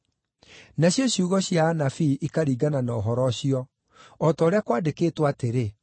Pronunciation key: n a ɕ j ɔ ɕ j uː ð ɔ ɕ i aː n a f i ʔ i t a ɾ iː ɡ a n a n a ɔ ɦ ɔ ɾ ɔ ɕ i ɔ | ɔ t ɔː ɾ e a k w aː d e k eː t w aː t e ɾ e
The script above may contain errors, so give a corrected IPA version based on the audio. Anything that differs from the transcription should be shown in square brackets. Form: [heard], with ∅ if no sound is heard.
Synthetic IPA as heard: n a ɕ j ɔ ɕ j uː [ɣ] ɔ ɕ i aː n a f i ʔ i [k] a ɾ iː ɡ a n a n a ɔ ɦ ɔ ɾ ɔ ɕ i ɔ | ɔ t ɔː ɾ e a k w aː d e k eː t w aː t e ɾ e

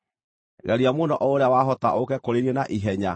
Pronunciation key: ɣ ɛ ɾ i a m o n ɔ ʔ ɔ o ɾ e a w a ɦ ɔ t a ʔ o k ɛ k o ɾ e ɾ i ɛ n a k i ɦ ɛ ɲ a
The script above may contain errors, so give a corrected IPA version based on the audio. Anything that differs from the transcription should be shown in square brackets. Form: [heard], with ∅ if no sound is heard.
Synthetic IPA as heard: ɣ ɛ ɾ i a m o n ɔ ʔ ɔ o ɾ e a w a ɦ ɔ t a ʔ o k ɛ k o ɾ e ɾ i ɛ n a [ʔ] i ɦ ɛ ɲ a

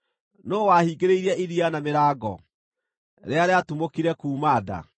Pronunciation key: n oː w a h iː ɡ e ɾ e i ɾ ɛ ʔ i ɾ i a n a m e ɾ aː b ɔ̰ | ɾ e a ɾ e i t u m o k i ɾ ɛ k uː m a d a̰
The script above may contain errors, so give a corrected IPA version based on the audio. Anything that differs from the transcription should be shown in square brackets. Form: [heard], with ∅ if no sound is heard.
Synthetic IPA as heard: n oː w a h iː ɡ e ɾ e i ɾ ɛ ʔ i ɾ i a n a m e ɾ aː [ɡ] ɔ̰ | ɾ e a ɾ e [a] t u m o k i ɾ ɛ k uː m a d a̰

